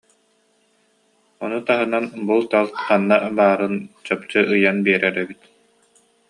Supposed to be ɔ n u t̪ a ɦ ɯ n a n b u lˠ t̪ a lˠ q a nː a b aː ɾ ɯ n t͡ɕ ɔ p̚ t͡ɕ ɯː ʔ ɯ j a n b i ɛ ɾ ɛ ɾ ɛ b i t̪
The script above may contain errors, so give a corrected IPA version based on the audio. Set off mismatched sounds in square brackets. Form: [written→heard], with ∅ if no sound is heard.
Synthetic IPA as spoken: ɔ n u t̪ a ɦ ɯ n a n b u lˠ t̪ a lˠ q a nː a b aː ɾ ɯ n t͡ɕ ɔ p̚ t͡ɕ [ɯː→ɯ] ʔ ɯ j a n b i ɛ ɾ ɛ ɾ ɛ b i t̪